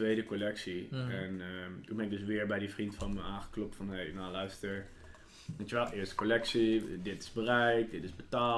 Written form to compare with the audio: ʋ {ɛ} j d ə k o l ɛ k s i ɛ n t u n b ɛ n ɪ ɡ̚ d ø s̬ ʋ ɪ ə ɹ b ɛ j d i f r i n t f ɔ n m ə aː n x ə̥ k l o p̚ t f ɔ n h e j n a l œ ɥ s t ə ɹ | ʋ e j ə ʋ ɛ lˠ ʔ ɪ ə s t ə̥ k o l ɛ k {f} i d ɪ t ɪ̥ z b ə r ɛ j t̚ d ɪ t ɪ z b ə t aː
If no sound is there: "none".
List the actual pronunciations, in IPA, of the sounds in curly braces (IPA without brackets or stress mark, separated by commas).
e, s